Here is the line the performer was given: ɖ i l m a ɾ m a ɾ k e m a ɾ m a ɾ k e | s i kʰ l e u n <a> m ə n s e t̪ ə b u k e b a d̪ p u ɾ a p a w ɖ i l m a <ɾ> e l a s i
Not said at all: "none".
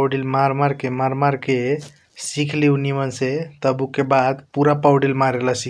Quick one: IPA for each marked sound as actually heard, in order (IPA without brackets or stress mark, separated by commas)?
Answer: i, ɾ